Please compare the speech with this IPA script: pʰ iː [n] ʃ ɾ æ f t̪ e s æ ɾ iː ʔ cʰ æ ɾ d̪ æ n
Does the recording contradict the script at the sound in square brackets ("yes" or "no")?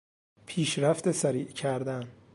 yes